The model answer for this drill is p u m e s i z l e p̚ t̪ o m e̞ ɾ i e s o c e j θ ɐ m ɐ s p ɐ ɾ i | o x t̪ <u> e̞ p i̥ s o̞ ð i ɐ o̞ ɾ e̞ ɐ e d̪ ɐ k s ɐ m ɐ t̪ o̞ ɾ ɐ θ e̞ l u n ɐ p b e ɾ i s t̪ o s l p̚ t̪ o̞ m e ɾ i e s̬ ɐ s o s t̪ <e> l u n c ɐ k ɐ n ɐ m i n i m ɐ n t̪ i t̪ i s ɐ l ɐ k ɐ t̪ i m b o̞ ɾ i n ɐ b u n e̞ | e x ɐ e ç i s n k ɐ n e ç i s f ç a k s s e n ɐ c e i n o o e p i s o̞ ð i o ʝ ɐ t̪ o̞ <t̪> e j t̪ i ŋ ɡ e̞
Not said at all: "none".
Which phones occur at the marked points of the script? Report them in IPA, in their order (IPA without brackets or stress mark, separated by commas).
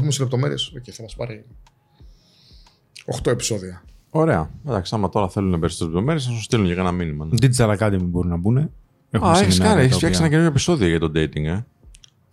o, i, d̪